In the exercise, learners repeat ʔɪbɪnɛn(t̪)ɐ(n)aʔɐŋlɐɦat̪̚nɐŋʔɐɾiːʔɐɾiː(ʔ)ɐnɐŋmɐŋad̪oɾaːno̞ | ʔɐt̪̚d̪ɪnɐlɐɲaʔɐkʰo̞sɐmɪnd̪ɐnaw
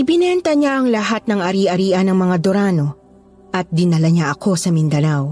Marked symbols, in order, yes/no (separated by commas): yes, no, yes